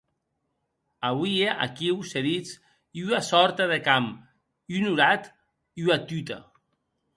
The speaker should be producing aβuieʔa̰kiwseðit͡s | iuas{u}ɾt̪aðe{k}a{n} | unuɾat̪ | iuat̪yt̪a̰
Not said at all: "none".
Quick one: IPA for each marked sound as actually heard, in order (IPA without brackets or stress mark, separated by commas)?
ɔ, k, m